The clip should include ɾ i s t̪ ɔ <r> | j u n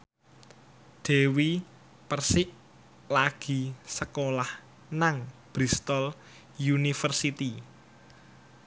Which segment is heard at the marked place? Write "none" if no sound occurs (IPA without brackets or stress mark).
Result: l